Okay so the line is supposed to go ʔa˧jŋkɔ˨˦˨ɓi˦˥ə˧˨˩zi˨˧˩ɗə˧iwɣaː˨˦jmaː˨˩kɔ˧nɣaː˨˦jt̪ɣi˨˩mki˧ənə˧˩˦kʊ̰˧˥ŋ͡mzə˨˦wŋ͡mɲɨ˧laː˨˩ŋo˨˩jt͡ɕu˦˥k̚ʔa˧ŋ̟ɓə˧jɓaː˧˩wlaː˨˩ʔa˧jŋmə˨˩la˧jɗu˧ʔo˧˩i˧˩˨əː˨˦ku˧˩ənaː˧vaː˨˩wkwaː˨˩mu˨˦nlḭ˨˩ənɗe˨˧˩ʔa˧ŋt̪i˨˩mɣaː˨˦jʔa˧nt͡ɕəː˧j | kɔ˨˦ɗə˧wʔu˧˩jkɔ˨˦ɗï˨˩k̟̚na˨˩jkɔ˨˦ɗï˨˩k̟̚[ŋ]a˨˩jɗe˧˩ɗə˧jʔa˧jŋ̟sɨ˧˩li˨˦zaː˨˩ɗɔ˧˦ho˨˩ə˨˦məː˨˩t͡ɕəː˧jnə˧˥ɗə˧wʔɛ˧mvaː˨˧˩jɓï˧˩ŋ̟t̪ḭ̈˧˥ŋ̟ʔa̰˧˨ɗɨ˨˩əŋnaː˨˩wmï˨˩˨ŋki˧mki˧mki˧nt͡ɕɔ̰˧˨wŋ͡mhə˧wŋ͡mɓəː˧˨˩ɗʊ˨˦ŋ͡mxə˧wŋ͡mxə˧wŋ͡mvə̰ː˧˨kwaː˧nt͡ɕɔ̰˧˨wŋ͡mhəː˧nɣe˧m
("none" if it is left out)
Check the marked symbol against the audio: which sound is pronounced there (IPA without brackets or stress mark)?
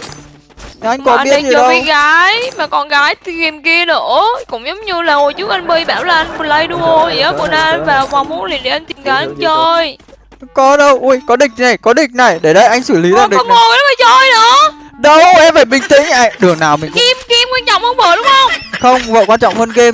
n